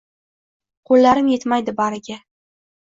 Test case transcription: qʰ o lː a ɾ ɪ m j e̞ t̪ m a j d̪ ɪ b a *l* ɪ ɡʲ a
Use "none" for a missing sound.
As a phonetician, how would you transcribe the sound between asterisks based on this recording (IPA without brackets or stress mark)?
ɾ